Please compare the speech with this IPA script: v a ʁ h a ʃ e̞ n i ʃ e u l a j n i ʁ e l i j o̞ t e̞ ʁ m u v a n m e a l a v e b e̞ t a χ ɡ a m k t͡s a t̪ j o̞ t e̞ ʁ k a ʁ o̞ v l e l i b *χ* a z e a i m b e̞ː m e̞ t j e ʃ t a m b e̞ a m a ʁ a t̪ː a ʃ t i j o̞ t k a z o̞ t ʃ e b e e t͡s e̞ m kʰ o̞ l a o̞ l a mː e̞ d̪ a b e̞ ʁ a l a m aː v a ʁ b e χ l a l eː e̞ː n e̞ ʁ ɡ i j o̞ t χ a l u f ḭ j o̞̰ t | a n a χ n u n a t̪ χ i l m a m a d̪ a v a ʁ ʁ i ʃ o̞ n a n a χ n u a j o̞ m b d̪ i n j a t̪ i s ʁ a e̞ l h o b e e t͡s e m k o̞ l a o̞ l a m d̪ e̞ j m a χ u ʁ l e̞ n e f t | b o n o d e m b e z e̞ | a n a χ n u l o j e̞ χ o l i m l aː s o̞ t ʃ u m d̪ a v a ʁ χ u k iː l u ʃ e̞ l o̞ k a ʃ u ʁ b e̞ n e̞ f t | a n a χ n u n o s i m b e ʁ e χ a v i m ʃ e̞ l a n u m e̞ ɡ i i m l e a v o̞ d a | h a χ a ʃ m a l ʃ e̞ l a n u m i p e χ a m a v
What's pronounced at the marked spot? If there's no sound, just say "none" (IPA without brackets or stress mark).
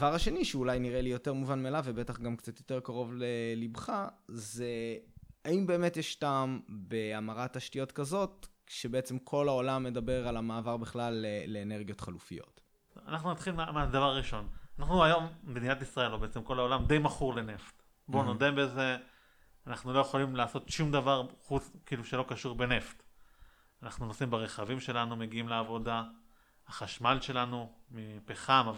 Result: χ